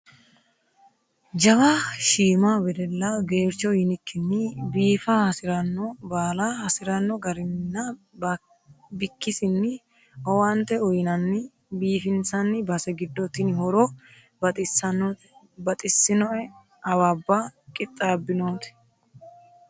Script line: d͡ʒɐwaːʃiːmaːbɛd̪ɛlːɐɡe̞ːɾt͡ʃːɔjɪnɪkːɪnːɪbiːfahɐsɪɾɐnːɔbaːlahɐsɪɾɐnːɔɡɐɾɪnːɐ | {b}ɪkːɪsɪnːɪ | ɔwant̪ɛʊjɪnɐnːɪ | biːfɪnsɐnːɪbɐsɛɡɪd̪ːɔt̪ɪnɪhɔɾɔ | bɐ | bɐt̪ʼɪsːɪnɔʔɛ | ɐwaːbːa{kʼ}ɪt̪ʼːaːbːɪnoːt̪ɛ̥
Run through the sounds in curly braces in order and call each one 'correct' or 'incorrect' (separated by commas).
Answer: correct, correct